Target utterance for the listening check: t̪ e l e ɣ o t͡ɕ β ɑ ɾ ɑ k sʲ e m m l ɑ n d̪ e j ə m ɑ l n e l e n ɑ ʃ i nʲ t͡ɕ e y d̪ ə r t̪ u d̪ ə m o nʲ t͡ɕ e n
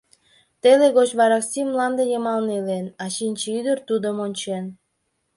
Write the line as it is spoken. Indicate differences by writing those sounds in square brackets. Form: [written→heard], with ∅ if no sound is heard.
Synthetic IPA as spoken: t̪ e l e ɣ o t͡ɕ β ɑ ɾ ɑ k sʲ [e→i] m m l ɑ n d̪ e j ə m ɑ l n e l e n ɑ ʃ i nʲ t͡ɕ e y d̪ ə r t̪ u d̪ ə m o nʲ t͡ɕ e n